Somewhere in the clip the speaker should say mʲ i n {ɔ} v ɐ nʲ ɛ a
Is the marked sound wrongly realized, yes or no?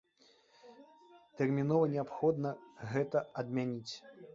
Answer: no